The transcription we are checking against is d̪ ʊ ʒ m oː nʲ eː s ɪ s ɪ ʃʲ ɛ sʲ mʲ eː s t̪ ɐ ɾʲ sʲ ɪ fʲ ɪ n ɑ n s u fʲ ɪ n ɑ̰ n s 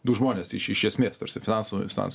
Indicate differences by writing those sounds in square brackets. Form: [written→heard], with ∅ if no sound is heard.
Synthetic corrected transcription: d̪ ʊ ʒ m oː nʲ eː s ɪ [s→ʃ] ɪ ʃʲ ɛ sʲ mʲ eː s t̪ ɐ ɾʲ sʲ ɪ fʲ ɪ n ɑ n s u fʲ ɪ n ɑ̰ n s